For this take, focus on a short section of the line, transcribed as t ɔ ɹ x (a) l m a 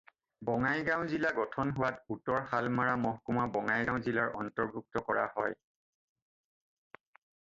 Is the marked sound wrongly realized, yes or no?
no